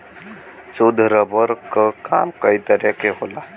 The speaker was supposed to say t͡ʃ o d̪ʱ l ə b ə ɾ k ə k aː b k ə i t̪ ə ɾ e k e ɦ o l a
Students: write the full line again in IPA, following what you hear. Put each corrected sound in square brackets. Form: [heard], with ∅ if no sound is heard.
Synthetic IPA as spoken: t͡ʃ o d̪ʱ [ɾ] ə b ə ɾ k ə k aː [m] k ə i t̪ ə ɾ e k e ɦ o l a